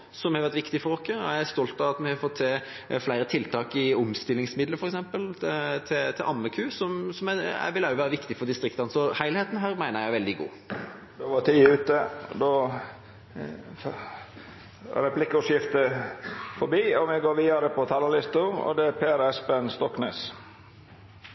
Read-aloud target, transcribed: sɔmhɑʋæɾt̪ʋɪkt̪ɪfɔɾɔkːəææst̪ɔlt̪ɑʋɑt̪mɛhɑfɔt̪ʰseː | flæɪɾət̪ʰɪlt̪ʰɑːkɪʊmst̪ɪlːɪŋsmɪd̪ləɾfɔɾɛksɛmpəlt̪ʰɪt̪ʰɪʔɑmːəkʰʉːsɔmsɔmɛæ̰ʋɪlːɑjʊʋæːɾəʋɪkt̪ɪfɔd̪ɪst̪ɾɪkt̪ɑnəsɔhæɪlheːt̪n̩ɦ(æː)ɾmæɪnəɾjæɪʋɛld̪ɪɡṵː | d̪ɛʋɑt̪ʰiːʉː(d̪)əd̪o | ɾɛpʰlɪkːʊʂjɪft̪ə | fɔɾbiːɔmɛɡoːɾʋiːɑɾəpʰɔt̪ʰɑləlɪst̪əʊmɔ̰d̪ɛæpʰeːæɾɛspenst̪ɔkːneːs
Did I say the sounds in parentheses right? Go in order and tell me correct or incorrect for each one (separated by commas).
correct, incorrect